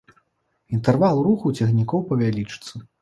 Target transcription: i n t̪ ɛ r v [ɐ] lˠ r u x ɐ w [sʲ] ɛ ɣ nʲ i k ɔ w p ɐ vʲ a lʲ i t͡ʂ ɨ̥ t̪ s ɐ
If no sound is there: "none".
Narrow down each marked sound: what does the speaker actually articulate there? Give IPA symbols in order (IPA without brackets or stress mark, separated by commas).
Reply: a, t͡sʲ